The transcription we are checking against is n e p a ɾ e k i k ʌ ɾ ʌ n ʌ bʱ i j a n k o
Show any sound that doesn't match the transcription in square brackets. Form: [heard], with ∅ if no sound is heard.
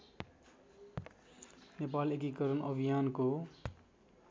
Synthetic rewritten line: n e p a [l] e k i k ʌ ɾ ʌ n ʌ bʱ i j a n k o